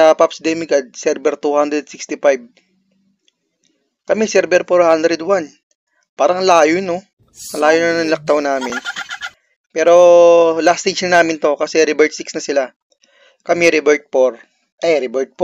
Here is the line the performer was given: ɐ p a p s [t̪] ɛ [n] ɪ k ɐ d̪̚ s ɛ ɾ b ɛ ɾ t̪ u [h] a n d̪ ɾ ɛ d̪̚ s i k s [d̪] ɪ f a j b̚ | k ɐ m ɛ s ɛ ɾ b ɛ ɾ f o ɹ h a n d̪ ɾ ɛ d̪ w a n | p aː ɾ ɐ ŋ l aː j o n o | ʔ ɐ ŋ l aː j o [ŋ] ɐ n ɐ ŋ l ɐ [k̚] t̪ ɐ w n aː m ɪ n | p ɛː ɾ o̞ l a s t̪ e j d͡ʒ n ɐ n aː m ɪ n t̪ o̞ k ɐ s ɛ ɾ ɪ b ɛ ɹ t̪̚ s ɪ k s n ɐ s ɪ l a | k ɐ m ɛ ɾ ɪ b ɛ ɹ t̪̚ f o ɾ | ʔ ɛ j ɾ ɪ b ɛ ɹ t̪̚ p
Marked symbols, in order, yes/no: no, no, yes, no, no, yes

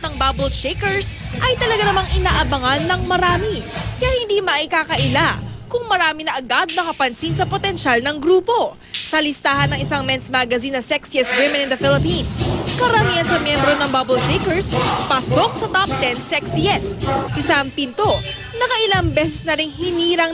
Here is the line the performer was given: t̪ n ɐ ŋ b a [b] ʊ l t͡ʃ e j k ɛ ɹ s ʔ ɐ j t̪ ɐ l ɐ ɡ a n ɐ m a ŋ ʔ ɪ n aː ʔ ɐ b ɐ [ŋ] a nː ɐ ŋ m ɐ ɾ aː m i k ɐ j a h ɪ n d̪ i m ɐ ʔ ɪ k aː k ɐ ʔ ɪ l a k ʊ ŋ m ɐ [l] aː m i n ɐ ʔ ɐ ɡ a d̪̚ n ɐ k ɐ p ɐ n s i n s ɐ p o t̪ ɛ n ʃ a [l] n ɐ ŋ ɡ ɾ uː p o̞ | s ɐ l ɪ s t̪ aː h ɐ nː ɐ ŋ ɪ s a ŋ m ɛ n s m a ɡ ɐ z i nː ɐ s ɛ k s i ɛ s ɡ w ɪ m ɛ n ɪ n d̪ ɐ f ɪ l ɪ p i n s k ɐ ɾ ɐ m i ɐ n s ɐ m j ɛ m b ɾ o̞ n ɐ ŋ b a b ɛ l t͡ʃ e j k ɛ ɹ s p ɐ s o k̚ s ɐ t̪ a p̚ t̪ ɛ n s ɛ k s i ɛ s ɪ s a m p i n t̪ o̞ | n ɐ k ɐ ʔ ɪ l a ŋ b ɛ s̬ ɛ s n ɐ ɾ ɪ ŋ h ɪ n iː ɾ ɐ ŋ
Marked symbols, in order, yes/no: yes, yes, no, yes

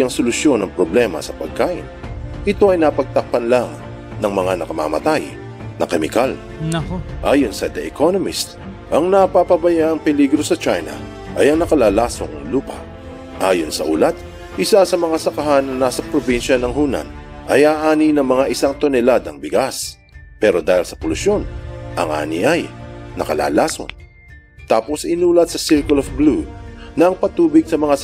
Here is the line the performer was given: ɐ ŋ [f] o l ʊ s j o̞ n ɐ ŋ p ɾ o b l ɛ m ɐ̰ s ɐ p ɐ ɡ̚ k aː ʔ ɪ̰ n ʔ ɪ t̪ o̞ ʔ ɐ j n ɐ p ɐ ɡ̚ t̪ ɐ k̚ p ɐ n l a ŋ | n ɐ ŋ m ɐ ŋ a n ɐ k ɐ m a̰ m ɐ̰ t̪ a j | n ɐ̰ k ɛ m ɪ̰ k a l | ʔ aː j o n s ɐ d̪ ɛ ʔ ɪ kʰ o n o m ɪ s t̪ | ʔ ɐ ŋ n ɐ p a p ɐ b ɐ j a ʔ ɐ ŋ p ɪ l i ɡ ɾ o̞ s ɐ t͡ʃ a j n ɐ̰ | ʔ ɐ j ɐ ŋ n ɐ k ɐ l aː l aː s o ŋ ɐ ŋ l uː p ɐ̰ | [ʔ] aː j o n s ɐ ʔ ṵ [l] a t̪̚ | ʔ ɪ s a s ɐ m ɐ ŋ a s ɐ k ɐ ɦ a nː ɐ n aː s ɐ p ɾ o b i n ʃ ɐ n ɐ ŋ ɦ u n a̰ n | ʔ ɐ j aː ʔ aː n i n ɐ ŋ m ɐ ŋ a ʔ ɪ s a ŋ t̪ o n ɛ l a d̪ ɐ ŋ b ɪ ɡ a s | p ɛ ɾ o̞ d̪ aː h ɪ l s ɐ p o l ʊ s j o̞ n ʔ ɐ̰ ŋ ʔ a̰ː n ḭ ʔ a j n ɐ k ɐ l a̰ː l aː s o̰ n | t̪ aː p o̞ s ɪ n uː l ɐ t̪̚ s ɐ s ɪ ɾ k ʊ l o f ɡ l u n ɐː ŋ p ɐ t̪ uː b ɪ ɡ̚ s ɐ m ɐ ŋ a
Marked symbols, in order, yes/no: no, yes, yes

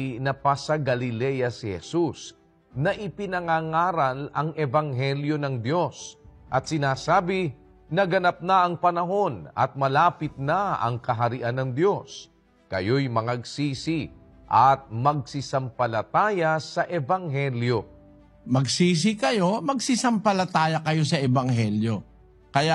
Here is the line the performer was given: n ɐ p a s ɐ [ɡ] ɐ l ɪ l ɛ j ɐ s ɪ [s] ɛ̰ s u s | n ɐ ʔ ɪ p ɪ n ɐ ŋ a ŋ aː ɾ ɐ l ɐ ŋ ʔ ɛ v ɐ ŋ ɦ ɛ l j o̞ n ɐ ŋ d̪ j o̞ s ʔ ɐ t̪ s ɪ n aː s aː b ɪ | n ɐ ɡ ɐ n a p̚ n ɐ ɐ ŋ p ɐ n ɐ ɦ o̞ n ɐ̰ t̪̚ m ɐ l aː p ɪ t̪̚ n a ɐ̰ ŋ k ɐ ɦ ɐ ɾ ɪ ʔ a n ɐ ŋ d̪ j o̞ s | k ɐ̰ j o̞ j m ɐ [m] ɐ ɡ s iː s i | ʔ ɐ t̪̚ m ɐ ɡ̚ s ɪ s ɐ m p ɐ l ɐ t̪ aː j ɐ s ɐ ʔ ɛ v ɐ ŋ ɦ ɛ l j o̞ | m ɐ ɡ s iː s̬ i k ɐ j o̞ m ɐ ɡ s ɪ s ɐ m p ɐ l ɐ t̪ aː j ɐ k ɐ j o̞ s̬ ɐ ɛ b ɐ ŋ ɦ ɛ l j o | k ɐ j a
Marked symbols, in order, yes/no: yes, no, no

